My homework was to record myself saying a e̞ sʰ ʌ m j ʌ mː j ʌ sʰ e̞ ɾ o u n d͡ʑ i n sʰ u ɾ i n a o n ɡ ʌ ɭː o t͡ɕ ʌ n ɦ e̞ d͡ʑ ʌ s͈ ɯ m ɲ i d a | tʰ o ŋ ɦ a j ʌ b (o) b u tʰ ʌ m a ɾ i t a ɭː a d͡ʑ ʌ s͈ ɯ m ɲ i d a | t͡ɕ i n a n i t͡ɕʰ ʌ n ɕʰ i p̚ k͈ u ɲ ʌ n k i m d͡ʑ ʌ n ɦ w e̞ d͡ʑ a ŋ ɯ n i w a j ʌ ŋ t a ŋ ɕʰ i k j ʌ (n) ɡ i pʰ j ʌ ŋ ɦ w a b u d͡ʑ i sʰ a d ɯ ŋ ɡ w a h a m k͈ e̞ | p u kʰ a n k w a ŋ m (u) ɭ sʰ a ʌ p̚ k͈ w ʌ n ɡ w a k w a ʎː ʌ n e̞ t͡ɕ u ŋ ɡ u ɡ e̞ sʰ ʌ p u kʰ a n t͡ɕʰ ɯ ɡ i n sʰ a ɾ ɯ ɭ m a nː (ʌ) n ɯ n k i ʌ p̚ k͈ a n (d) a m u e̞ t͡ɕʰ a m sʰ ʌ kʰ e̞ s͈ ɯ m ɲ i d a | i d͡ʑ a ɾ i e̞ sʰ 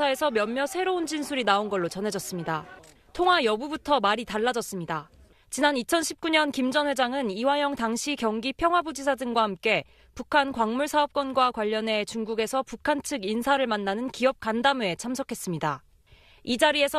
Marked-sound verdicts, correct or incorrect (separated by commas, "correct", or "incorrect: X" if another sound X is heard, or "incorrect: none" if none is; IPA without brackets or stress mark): incorrect: u, incorrect: ŋ, correct, incorrect: a, correct